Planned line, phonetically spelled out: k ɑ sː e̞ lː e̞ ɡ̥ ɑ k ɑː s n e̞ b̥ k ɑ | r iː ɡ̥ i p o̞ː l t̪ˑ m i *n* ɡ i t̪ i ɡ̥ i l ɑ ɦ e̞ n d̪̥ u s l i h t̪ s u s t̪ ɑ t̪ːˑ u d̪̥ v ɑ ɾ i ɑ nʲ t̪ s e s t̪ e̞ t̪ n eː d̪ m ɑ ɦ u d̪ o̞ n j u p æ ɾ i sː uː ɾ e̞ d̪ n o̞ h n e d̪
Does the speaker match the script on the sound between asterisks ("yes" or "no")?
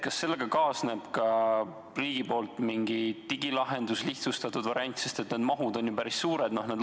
no